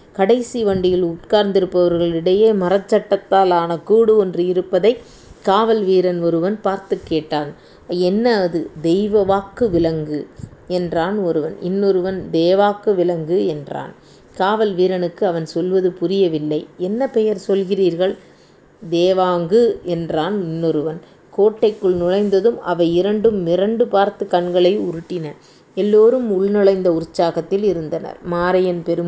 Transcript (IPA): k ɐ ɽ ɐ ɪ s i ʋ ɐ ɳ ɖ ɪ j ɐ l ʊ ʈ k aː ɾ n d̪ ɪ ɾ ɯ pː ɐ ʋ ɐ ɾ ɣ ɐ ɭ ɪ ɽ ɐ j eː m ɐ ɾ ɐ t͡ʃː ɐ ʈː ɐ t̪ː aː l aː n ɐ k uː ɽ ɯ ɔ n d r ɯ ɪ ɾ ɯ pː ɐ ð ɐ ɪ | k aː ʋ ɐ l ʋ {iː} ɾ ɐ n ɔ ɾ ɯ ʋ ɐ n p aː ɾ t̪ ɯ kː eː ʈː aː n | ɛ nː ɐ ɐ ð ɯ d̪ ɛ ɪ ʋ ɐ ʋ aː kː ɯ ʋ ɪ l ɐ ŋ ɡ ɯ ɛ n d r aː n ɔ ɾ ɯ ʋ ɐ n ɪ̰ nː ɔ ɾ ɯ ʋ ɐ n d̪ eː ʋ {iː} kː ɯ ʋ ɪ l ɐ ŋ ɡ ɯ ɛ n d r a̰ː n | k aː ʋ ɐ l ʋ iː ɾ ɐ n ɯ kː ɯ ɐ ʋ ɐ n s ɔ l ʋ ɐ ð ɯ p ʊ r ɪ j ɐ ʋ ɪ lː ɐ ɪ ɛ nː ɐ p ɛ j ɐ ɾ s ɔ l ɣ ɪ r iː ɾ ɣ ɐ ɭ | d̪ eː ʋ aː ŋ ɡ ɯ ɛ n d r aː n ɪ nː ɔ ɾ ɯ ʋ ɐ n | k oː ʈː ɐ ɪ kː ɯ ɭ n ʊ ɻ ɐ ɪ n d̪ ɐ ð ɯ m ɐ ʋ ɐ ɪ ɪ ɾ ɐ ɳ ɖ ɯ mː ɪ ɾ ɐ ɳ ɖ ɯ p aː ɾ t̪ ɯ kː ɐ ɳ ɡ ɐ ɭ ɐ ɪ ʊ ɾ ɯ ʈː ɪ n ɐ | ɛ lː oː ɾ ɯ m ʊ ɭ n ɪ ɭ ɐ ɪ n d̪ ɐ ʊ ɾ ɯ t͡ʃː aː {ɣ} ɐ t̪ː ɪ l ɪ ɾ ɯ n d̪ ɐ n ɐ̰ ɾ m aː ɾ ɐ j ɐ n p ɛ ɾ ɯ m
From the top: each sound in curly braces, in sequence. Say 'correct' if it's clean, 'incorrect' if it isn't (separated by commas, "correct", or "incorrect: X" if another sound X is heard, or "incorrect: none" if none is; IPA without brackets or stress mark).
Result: correct, incorrect: aː, correct